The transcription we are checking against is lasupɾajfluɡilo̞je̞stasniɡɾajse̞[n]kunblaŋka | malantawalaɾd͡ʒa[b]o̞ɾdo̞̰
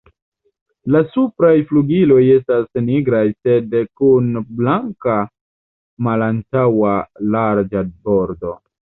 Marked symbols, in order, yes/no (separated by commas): no, yes